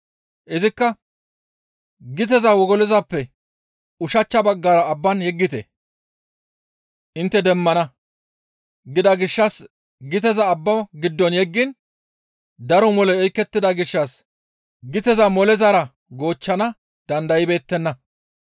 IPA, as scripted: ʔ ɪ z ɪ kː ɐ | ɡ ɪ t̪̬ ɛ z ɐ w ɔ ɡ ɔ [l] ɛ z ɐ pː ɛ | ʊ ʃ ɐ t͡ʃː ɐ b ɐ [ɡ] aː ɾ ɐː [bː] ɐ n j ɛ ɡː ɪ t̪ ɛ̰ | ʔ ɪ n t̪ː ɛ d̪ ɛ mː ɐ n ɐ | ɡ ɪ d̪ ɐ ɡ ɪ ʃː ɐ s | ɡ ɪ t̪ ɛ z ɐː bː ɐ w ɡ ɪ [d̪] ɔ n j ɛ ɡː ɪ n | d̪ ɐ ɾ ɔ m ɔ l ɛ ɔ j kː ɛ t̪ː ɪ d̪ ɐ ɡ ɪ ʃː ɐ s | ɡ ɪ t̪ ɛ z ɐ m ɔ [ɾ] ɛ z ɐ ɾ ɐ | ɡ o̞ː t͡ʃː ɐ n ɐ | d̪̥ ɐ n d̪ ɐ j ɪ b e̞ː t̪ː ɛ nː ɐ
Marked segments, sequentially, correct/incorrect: correct, incorrect: ɡː, correct, incorrect: d̪ː, incorrect: l

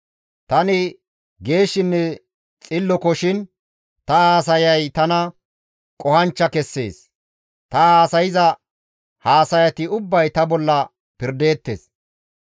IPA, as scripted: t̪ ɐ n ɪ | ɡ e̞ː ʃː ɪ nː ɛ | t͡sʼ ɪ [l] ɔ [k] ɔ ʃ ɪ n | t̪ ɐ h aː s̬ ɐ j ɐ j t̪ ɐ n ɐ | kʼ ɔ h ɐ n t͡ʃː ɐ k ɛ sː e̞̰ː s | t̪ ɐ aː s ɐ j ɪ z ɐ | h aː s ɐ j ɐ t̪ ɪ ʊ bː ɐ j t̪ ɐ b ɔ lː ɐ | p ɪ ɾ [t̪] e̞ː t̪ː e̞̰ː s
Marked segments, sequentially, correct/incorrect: incorrect: lː, correct, incorrect: d̪

